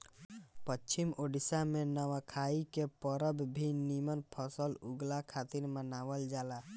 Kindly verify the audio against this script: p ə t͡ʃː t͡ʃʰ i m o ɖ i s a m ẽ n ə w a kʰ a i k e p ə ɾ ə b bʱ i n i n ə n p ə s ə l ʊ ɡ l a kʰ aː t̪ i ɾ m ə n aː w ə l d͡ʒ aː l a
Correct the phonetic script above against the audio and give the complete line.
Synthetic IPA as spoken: p ə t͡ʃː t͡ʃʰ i m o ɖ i s a m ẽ n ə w a kʰ a i k e p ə ɾ ə b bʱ i n i m ə n pʰ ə s ə l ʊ ɡ l a kʰ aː t̪ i ɾ m ə n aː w ə l d͡ʒ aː l a